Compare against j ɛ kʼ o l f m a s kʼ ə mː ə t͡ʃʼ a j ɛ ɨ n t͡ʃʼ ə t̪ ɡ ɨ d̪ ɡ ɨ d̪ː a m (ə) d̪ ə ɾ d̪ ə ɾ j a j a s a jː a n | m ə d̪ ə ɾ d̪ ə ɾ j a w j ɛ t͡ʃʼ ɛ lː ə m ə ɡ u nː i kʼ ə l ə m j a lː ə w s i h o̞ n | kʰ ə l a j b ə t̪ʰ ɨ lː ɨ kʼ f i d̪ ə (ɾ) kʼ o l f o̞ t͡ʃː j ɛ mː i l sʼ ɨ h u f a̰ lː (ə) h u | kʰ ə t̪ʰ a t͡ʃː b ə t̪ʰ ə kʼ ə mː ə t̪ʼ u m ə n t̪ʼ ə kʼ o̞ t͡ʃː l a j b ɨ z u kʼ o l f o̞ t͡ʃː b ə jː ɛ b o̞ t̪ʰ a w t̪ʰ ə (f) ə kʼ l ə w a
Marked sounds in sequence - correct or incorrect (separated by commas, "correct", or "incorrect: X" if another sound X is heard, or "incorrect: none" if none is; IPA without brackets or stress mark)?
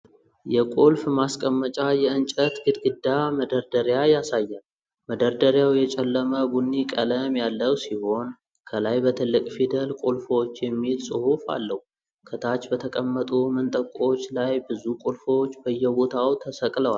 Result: correct, incorrect: l, correct, incorrect: s